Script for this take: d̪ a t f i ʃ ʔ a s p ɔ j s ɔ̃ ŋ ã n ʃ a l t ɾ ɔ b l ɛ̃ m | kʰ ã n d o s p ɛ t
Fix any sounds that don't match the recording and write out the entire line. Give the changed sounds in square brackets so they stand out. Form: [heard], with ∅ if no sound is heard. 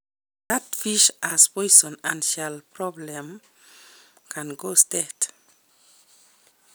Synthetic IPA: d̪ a t f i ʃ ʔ a s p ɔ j s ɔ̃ [n] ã n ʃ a l [p] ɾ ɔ b l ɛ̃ m | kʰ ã n [ɡ] o s [t] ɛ t